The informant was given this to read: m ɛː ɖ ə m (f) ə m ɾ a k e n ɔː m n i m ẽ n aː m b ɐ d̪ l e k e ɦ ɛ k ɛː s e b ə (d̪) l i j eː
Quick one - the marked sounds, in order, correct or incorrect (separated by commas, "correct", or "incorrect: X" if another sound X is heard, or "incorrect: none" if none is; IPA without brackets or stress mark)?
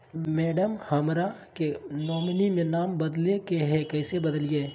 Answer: incorrect: h, correct